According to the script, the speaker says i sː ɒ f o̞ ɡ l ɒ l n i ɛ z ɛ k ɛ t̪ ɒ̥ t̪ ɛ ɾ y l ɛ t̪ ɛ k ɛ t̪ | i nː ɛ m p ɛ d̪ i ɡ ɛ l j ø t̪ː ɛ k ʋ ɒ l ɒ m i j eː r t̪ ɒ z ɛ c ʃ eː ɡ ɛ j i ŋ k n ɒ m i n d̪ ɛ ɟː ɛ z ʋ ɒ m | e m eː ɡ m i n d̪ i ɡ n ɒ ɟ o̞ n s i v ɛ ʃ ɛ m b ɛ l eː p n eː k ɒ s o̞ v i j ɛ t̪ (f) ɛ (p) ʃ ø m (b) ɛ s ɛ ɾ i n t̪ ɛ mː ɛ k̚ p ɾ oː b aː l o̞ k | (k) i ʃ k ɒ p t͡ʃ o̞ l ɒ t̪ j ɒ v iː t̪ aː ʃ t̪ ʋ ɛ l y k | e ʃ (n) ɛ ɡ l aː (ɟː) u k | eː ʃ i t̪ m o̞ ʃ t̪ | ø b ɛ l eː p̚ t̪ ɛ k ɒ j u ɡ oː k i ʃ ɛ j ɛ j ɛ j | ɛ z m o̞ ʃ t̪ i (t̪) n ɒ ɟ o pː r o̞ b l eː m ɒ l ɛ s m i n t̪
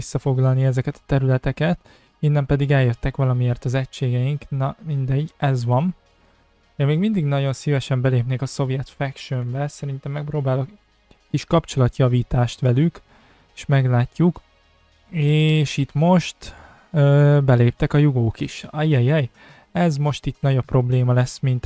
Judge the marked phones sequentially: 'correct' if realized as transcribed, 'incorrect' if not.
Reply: correct, incorrect: k, correct, correct, incorrect: m, incorrect: cː, correct

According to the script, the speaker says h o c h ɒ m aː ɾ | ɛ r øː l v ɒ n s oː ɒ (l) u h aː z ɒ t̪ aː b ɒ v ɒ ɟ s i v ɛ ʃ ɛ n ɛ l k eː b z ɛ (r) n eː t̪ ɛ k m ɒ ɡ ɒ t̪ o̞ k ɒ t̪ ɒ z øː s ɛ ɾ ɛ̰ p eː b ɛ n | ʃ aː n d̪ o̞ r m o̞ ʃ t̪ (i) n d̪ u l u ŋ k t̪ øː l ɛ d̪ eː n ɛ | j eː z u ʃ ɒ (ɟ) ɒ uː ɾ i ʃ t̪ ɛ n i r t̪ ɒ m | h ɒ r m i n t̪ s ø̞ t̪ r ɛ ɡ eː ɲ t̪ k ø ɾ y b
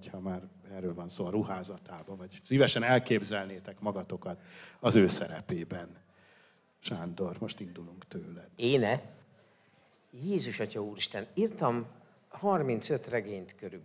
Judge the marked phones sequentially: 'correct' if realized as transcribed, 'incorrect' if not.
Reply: incorrect: ɾ, incorrect: l, correct, incorrect: c

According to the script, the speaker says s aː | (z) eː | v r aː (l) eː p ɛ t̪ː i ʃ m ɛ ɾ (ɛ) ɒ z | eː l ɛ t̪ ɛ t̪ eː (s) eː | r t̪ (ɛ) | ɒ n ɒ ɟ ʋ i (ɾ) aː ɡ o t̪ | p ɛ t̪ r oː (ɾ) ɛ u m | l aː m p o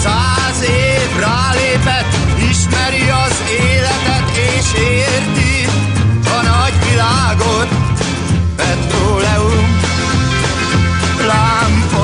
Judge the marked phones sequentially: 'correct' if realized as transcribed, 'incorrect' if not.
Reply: correct, correct, incorrect: i, incorrect: ʃ, incorrect: i, incorrect: l, incorrect: l

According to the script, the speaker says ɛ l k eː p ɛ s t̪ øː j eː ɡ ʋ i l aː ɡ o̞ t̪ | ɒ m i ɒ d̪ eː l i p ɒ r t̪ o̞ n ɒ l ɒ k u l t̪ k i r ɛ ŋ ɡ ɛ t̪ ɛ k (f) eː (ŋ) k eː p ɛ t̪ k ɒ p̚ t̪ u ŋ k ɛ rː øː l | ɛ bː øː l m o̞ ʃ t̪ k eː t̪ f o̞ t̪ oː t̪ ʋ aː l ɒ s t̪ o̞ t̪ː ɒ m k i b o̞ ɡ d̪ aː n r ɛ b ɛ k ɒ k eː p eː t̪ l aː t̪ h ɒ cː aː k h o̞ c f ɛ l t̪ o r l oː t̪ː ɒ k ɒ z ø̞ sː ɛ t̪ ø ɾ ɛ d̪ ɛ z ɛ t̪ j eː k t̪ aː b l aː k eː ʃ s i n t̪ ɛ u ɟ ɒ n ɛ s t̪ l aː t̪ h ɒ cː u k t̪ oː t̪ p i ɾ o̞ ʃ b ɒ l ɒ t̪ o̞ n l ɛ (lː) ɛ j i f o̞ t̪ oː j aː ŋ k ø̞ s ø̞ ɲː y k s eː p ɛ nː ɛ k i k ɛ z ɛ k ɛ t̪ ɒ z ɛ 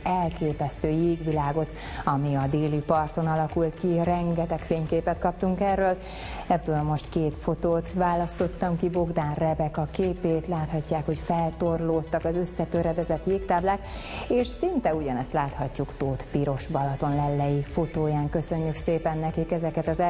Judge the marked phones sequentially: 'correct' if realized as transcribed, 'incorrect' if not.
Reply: correct, incorrect: ɲ, correct

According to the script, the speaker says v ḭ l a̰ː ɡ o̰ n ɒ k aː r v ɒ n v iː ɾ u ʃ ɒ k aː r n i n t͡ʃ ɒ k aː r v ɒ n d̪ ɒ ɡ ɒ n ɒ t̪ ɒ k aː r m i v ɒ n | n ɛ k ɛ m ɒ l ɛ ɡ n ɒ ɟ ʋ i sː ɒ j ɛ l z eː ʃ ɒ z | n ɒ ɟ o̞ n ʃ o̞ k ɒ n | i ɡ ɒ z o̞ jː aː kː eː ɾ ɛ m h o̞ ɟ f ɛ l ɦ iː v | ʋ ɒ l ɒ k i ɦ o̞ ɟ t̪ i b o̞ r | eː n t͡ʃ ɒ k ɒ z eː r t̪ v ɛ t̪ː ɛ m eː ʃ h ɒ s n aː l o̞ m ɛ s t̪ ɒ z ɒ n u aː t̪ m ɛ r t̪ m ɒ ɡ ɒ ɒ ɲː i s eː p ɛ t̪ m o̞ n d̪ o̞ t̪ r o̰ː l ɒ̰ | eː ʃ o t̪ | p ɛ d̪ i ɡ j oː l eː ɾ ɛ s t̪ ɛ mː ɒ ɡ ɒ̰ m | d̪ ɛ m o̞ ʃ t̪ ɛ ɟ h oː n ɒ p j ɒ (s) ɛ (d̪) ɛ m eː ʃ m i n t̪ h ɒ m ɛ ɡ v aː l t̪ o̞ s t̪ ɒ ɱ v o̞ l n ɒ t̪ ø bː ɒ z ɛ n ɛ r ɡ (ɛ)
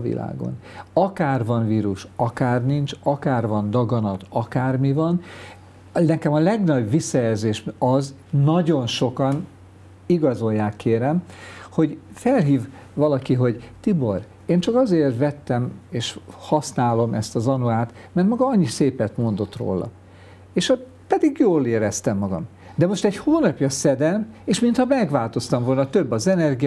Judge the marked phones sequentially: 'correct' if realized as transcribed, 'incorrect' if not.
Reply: correct, correct, incorrect: i

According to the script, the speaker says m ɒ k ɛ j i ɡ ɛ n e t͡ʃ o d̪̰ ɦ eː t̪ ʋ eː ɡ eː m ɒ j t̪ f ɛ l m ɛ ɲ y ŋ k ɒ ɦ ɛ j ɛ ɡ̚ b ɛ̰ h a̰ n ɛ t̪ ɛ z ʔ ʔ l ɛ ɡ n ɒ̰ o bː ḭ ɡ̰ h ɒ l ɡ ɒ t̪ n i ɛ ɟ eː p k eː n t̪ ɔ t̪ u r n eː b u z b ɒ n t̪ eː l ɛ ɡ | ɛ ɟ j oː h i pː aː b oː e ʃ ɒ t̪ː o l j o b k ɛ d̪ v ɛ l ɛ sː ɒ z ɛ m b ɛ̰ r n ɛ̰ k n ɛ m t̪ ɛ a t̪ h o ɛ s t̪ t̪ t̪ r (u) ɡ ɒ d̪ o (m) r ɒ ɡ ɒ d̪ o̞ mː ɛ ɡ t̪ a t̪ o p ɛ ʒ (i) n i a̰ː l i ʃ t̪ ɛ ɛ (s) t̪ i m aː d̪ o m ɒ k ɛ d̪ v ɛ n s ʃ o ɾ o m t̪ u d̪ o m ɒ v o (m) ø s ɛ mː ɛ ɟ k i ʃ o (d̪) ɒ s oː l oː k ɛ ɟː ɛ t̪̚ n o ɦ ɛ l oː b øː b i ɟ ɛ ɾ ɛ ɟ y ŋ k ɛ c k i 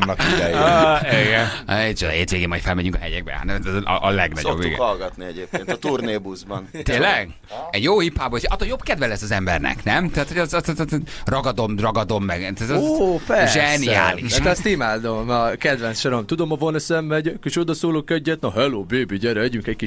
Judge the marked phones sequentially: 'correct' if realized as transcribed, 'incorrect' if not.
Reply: incorrect: ɒ, correct, incorrect: ɛ, correct, incorrect: n, correct

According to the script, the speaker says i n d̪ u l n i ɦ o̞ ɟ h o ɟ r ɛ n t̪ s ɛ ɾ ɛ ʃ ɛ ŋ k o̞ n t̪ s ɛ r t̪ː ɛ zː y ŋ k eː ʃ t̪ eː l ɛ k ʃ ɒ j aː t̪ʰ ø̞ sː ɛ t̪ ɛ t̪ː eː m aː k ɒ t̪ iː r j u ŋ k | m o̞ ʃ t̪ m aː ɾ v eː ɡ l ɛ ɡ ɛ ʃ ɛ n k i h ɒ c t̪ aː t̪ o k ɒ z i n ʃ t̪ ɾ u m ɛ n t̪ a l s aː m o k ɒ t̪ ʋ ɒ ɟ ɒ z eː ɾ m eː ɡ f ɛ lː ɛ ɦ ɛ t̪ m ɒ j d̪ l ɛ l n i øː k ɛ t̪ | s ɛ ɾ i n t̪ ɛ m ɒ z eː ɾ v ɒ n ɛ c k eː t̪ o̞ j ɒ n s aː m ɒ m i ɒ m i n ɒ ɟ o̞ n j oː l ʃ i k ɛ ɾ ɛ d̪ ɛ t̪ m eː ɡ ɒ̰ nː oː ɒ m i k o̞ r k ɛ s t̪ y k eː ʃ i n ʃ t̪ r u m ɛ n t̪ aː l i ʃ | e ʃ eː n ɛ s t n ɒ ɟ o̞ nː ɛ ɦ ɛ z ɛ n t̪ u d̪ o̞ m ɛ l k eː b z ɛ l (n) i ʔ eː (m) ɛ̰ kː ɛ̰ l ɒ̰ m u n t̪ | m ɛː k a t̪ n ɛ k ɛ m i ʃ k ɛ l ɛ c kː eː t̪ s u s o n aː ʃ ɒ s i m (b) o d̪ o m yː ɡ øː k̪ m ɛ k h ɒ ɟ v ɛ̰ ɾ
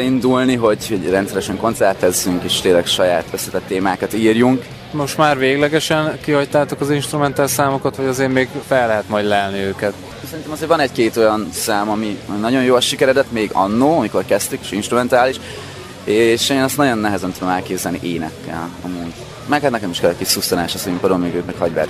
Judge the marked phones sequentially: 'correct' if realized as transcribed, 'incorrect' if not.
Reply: correct, incorrect: n, incorrect: p

